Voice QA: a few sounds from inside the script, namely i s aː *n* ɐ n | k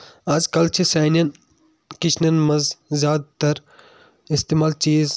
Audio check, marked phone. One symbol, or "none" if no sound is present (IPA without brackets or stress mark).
n